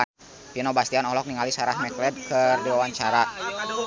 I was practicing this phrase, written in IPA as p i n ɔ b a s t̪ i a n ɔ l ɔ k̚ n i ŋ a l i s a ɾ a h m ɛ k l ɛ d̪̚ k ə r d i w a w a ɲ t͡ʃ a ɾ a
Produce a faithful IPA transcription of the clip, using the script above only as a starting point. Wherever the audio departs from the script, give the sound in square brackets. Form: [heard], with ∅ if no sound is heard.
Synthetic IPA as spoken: p i n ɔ b a s t̪ i a n ɔ l ɔ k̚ n i ŋ a l i s a ɾ a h m ɛ k l ɛ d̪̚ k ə r d i w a w a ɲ t͡ʃ a ɾ a